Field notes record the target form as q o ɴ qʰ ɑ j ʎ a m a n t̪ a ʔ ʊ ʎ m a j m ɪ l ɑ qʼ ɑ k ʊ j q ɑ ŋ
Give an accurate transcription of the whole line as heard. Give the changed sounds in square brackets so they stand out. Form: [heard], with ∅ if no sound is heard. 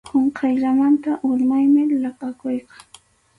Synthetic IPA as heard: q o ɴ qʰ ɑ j ʎ a m a n t̪ a ʔ ʊ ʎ m a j m ɪ l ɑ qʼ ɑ k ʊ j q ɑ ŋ